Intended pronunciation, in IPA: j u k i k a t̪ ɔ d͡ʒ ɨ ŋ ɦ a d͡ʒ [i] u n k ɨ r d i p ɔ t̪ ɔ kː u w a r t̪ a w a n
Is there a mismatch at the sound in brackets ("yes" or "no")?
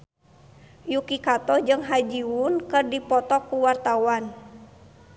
no